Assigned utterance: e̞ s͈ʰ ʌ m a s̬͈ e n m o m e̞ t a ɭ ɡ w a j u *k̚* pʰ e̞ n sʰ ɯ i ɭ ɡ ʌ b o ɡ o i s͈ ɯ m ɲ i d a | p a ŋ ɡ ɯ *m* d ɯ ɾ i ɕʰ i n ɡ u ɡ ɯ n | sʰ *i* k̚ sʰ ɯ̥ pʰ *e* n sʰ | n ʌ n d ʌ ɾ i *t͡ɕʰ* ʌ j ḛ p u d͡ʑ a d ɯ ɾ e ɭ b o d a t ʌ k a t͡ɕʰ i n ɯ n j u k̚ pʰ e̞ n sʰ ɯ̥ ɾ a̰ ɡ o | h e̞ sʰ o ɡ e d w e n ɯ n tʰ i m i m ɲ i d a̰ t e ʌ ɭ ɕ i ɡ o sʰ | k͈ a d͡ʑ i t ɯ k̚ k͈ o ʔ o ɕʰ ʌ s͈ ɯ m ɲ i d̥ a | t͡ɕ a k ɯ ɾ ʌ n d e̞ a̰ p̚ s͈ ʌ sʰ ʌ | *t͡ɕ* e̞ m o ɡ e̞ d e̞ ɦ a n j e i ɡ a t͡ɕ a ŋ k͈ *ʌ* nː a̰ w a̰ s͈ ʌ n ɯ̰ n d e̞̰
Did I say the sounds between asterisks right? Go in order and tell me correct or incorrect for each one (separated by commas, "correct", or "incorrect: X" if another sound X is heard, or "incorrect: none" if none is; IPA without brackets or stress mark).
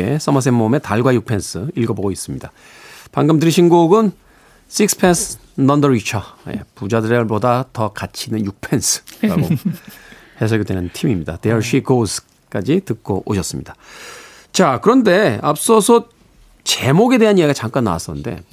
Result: correct, correct, correct, correct, correct, correct, incorrect: a